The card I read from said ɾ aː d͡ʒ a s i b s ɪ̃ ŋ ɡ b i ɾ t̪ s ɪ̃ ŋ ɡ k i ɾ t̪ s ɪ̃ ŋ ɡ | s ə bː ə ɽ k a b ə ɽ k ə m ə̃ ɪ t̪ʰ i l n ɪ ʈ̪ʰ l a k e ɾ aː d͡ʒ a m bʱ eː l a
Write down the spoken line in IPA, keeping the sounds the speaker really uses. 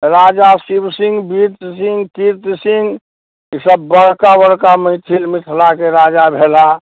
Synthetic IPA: ɾ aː d͡ʒ a s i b s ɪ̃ ŋ ɡ b i ɾ t̪ s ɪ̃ ŋ ɡ k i ɾ t̪ s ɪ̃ ŋ ɡ | s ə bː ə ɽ k a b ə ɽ k a m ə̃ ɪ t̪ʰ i l m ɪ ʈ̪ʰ l a k e ɾ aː d͡ʒ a bʱ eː l a